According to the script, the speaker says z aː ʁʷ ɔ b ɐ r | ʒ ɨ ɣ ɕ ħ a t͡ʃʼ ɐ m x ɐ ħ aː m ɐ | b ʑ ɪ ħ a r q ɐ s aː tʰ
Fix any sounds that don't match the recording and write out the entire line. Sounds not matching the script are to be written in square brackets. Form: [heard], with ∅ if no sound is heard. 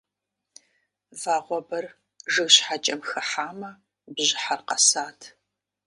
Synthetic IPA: [v] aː ʁʷ ɔ b ɐ r | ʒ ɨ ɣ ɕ ħ a t͡ʃʼ ɐ m x ɐ ħ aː m ɐ | b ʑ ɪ ħ a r q ɐ s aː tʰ